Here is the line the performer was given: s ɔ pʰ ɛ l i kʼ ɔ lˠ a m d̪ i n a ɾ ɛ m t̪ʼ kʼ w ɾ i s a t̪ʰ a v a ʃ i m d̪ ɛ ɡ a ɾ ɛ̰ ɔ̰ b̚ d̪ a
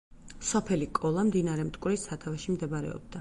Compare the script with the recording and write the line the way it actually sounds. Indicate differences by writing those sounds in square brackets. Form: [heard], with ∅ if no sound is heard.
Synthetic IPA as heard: s ɔ pʰ ɛ l i kʼ ɔ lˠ a m d̪ i n a ɾ ɛ m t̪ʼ kʼ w ɾ i s a t̪ʰ a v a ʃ i m d̪ ɛ [b] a ɾ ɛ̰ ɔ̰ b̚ d̪ a